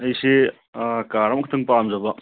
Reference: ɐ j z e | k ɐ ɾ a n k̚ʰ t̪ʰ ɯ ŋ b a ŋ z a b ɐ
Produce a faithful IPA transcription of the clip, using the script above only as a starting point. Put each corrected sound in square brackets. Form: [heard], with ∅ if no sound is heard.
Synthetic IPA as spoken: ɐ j [s] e | k [a] ɾ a [m] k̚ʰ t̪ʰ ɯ ŋ [p] a [m] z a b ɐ